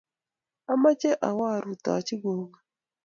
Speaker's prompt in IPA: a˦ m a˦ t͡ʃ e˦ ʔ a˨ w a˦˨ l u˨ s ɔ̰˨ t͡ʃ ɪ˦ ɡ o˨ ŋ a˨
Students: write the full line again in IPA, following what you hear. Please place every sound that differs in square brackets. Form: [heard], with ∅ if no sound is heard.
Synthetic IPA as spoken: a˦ m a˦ t͡ʃ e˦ ʔ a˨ w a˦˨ [ɾ] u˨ [t] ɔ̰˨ t͡ʃ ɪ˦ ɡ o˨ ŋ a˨

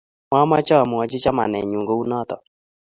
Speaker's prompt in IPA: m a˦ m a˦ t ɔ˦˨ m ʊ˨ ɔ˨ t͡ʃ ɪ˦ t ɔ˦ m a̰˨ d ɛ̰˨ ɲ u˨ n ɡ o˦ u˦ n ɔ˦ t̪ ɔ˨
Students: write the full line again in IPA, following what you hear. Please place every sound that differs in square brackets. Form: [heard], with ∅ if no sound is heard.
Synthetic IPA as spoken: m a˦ m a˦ [t͡ʃ] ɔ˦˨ m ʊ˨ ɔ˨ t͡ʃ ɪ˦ [t͡ʃ] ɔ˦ m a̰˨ [n] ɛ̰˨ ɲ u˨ [ŋ] ɡ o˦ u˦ n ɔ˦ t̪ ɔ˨

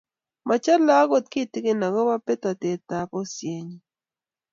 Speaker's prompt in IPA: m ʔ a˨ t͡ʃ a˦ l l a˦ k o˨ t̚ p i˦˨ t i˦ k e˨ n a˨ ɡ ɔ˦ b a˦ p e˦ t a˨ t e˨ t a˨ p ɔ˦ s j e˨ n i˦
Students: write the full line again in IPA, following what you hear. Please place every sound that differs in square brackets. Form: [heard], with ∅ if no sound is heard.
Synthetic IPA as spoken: m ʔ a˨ t͡ʃ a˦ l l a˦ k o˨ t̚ [k] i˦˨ t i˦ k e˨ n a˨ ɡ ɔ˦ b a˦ p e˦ t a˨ t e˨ t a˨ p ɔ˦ s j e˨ [ɲ] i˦

